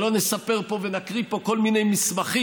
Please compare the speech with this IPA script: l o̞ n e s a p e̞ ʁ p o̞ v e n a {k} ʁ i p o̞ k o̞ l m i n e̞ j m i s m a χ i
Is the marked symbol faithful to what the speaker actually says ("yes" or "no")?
yes